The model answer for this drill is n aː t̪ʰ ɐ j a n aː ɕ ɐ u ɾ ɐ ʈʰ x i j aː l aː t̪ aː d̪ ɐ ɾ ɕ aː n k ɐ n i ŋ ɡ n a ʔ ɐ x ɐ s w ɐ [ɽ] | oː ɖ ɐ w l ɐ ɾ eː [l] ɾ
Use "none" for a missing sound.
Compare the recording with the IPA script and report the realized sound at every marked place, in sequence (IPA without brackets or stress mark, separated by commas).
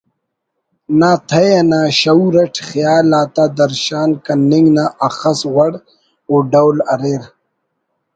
ɽ, none